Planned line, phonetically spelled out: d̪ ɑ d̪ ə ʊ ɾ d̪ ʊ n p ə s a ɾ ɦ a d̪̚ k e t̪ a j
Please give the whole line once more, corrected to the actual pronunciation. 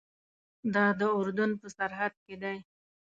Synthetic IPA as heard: d̪ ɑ d̪ ə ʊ ɾ d̪ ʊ n p ə s a ɾ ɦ a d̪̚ k e d̪ a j